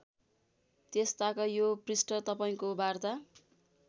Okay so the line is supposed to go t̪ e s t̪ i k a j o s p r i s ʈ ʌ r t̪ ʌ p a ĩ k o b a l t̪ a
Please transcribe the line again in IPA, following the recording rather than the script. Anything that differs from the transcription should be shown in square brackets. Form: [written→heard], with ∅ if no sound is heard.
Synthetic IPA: t̪ e s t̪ [i→a] k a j o [s→∅] p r i s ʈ ʌ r t̪ ʌ p a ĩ k o b a [l→r] t̪ a